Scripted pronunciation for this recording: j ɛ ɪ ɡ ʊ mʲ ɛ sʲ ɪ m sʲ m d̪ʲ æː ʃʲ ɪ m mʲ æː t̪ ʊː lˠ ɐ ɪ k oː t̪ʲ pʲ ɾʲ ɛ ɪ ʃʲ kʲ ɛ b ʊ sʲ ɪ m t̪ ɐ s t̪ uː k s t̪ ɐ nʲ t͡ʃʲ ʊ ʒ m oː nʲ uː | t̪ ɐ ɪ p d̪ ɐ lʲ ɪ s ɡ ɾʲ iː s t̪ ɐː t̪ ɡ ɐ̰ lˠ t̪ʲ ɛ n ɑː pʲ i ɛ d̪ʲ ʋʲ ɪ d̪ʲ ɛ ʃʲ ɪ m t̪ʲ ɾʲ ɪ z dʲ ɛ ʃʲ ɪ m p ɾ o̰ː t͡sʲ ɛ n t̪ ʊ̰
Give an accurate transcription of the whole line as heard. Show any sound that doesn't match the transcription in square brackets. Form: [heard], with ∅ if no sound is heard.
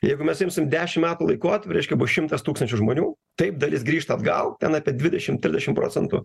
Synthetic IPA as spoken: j ɛ ɪ ɡ ʊ mʲ ɛ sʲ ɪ m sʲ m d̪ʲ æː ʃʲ ɪ m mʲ æː t̪ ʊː lˠ ɐ ɪ k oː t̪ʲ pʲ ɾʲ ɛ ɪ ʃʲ kʲ ɛ b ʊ [ʃʲ] ɪ m t̪ ɐ s t̪ uː k s t̪ ɐ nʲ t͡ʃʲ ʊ ʒ m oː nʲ uː | t̪ ɐ ɪ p d̪ ɐ lʲ ɪ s ɡ ɾʲ iː [ʃ] t̪ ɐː [d̪] ɡ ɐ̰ lˠ t̪ʲ ɛ n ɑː pʲ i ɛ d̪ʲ ʋʲ ɪ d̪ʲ ɛ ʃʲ ɪ m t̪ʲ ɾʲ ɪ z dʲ ɛ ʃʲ ɪ m p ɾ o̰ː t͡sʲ ɛ n t̪ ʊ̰